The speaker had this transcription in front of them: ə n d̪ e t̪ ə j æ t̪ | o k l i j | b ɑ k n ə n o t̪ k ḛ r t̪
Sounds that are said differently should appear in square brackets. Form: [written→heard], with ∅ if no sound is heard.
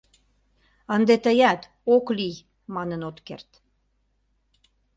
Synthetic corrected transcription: ə n d̪ e t̪ ə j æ t̪ | o k l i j | [b→m] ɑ [k→∅] n ə n o t̪ k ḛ r t̪